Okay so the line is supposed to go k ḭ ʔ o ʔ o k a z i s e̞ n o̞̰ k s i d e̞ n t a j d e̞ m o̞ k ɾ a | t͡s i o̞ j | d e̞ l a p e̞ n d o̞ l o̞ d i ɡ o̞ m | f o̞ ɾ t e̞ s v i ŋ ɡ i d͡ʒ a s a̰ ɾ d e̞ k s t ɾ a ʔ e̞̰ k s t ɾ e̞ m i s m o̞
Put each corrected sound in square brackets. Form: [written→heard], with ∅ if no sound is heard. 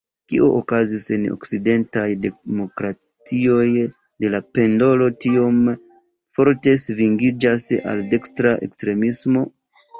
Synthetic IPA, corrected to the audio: k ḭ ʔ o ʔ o k a z i s e̞ n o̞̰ k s i d e̞ n t a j d e̞ m o̞ k ɾ a | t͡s i o̞ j | d e̞ l a p e̞ n d o̞ l o̞ [d→t] i [ɡ→∅] o̞ m | f o̞ ɾ t e̞ s v i ŋ ɡ i d͡ʒ a s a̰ [ɾ→l] d e̞ k s t ɾ a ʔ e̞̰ k s t ɾ e̞ m i s m o̞